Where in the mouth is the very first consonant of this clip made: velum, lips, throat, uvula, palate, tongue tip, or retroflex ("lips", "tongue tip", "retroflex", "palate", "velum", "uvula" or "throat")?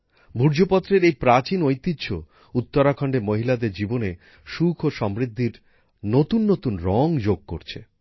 lips